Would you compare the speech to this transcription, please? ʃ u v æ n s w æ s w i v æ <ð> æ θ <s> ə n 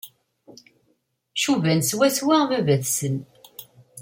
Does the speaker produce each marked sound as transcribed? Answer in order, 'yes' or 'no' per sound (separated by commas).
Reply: no, yes